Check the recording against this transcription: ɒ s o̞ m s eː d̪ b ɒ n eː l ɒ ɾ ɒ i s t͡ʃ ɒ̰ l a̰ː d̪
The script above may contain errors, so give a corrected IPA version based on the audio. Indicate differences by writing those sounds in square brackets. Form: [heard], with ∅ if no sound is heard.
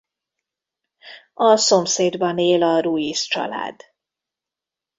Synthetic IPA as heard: ɒ s o̞ m s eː d̪ b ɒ n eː l ɒ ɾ [u] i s t͡ʃ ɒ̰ l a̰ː d̪